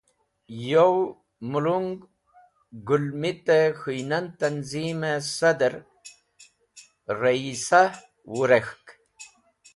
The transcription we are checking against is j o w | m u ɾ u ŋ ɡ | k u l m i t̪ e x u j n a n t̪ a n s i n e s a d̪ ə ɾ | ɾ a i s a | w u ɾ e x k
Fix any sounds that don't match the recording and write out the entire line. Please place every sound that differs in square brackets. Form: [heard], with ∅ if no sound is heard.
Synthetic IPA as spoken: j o w | m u [l] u ŋ ɡ | [ɡ] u l m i t̪ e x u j n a n t̪ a n [z] i [m] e s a d̪ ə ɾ | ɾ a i s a | w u ɾ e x k